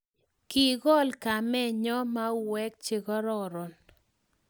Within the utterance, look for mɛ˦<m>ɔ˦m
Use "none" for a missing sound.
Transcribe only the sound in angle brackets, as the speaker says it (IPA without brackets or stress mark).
ɲ